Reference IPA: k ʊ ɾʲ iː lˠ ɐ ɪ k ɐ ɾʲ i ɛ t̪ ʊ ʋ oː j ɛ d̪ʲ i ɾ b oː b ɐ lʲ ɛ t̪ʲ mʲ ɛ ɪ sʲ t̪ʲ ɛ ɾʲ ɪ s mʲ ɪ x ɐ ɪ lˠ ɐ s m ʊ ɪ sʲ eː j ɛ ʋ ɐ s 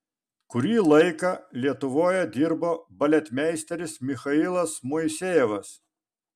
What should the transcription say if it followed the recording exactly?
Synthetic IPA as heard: k ʊ ɾʲ iː lˠ ɐ ɪ k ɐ lʲ i ɛ t̪ ʊ ʋ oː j ɛ d̪ʲ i ɾ b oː b ɐ lʲ ɛ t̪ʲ mʲ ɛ ɪ sʲ t̪ʲ ɛ ɾʲ ɪ s mʲ ɪ x ɐ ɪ lˠ ɐ s m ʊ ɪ sʲ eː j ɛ ʋ ɐ s